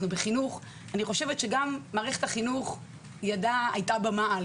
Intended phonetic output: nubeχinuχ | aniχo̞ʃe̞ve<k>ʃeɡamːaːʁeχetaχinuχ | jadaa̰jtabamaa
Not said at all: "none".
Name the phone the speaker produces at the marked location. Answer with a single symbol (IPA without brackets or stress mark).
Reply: t